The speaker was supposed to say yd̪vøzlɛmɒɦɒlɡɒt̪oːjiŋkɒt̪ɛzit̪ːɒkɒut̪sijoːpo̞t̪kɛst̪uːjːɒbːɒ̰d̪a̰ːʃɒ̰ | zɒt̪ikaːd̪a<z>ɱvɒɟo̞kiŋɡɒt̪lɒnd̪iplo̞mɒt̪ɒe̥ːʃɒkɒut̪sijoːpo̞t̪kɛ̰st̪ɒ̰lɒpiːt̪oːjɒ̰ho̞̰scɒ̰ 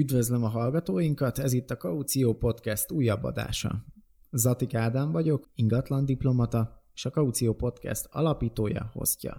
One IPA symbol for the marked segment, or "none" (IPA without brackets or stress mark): none